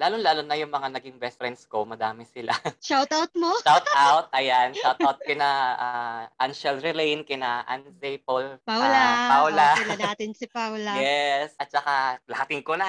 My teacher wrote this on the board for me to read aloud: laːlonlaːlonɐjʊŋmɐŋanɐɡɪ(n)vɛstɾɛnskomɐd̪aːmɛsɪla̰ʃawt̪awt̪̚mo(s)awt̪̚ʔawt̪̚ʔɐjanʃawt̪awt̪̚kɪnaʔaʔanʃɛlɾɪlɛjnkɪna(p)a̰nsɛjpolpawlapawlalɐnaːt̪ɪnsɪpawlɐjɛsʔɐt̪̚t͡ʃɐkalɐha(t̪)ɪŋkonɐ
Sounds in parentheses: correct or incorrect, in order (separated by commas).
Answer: incorrect, incorrect, incorrect, correct